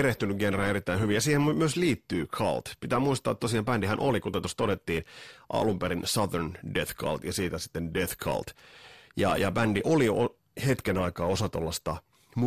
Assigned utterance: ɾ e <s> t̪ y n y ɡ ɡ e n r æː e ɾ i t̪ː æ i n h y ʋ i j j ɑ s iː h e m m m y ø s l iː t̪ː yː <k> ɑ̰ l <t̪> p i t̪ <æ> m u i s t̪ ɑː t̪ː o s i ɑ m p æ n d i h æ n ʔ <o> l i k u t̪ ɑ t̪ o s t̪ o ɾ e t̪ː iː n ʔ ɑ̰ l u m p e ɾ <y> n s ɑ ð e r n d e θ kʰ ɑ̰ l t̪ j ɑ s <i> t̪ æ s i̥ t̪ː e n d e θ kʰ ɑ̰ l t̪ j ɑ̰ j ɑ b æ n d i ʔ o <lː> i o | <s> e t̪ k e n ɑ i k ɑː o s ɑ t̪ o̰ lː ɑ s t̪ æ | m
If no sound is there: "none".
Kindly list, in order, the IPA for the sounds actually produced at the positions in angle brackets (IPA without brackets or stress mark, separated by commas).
h, kʰ, t̪, æː, o, i, iː, l, h